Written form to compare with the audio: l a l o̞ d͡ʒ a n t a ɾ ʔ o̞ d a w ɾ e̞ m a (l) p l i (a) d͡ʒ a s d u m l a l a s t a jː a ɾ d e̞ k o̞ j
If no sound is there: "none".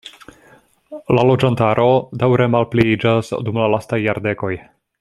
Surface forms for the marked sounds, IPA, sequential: l, i

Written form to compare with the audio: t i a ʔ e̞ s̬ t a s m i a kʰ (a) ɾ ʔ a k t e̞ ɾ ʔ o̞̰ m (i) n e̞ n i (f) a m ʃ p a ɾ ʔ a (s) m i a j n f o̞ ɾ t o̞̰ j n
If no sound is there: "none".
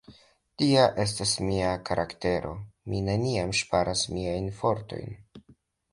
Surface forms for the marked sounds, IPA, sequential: a, i, none, s

